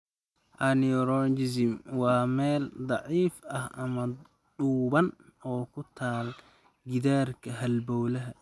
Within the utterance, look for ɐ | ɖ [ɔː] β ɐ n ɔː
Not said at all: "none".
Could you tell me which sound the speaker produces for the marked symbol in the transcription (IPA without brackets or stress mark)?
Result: uː